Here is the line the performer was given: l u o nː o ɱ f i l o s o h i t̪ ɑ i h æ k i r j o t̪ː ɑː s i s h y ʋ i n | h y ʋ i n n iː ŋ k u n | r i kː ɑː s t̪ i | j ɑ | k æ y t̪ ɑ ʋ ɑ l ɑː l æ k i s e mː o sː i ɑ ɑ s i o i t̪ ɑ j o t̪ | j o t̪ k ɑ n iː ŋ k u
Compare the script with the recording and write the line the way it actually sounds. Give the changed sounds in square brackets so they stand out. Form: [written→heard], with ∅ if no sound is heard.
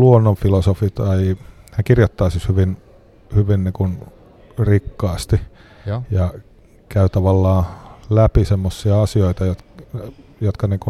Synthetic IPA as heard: l u o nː o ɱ f i l o s o [h→f] i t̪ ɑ i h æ k i r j o t̪ː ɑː s i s h y ʋ i n | h y ʋ i n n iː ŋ k u n | r i kː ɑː s t̪ i | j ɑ | k æ y t̪ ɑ ʋ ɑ [l→lː] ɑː l æ [k→p] i s e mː o sː i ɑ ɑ s i o i t̪ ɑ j o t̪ | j o t̪ k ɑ n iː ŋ k u